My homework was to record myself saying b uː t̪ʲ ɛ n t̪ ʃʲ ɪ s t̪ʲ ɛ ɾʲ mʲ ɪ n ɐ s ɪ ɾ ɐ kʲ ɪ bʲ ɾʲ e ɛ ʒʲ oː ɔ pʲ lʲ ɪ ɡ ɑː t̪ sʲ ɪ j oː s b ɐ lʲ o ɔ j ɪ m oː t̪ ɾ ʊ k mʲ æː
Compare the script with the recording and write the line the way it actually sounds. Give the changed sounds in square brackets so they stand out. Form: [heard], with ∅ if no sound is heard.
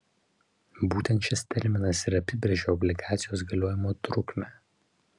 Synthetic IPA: b uː t̪ʲ ɛ n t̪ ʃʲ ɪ s t̪ʲ ɛ ɾʲ mʲ ɪ n ɐ s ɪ ɾ ɐ [pʲ] ɪ bʲ ɾʲ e ɛ ʒʲ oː ɔ [bʲ] lʲ ɪ ɡ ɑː t̪ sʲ ɪ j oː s [ɡ] ɐ lʲ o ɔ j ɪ m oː t̪ ɾ ʊ k mʲ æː